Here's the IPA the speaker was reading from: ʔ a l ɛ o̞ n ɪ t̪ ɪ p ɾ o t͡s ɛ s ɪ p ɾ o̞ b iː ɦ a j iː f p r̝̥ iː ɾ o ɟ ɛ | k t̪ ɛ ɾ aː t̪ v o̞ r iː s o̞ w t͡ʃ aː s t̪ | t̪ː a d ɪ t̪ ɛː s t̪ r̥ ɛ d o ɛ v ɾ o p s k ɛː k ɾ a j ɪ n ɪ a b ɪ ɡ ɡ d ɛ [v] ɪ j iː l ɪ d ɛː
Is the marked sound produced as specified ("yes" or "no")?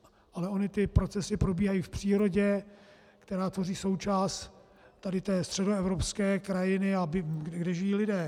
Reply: no